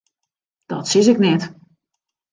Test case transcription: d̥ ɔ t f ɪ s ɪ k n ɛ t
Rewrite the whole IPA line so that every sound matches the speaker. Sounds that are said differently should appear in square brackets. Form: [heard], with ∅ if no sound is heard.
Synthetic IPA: d̥ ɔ t [s] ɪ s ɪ k n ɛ t